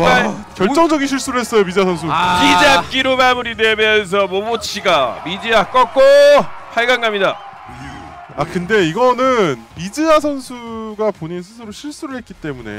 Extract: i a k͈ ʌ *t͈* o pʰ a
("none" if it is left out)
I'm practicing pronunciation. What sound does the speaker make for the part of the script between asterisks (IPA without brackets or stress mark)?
k͈